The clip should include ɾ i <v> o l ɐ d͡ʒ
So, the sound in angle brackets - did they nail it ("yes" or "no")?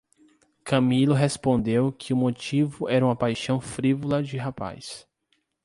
yes